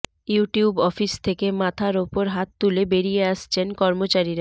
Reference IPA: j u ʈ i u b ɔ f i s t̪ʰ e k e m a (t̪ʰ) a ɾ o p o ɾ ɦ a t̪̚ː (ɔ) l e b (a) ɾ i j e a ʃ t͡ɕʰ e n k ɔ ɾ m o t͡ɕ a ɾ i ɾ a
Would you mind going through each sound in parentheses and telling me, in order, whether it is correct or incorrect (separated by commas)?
correct, incorrect, incorrect